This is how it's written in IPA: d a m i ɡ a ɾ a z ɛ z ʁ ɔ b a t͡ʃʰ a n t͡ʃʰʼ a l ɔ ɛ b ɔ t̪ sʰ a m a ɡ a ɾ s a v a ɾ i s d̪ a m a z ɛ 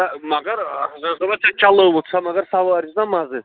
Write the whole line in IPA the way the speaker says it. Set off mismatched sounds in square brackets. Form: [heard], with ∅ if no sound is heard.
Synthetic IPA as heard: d a m [a] ɡ a ɾ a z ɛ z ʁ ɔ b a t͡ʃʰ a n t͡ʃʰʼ a l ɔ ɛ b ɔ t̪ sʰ a m a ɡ a ɾ s a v a ɾ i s d̪ a m a z ɛ